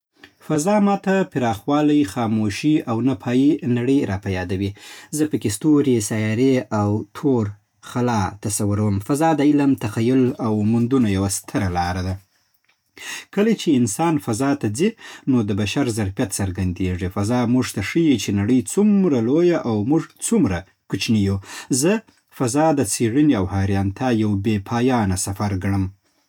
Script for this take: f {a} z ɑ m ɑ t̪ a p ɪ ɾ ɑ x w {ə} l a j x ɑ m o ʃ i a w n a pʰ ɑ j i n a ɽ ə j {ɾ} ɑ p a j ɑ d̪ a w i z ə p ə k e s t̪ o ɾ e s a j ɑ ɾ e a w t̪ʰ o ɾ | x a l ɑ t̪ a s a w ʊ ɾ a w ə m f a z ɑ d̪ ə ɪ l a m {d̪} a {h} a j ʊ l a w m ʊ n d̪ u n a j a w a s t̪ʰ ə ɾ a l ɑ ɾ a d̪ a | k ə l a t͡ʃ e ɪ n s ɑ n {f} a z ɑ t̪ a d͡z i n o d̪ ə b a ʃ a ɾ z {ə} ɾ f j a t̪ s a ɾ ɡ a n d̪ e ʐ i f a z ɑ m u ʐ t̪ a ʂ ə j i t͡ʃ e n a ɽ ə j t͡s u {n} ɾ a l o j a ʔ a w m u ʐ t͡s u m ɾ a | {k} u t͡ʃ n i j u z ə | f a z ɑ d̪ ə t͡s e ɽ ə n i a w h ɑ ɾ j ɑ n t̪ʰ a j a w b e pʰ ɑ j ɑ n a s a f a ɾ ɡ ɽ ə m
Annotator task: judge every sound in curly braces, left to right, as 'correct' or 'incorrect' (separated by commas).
correct, incorrect, correct, incorrect, incorrect, correct, incorrect, incorrect, correct